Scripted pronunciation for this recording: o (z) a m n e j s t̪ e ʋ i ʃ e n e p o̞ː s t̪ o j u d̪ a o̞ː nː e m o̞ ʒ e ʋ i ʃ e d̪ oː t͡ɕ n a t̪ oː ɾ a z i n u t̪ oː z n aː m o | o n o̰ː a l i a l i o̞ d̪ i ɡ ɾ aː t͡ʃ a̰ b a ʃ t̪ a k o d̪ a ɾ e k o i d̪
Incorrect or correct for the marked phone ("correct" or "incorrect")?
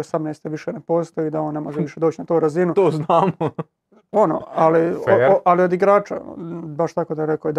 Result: incorrect